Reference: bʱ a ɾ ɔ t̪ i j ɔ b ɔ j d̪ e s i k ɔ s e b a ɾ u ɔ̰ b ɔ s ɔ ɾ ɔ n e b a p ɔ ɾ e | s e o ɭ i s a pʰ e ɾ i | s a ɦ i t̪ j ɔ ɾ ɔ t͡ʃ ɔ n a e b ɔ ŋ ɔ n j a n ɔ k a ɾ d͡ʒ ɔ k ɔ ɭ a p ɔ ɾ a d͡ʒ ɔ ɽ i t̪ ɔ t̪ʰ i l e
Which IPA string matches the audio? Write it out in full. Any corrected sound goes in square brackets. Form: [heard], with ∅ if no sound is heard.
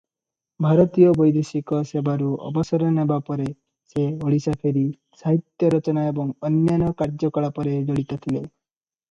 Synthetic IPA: bʱ a ɾ ɔ t̪ i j ɔ b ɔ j d̪ e s i k ɔ s e b a ɾ u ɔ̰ b ɔ s ɔ ɾ ɔ n e b a p ɔ ɾ e | s e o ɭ i s a pʰ e ɾ i | s a ɦ i t̪ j ɔ ɾ ɔ t͡ʃ ɔ n a e b ɔ ŋ ɔ n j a n ɔ k a ɾ d͡ʒ ɔ k ɔ ɭ a p ɔ ɾ [e] d͡ʒ ɔ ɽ i t̪ ɔ t̪ʰ i l e